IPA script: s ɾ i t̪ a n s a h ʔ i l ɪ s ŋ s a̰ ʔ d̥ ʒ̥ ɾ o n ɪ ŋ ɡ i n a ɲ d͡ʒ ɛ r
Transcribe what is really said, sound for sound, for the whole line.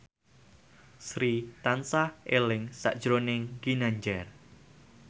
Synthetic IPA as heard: s ɾ i t̪ a n s a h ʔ e l ɪ ŋ s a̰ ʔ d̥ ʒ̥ ɾ o n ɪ ŋ ɡ i n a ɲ d͡ʒ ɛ r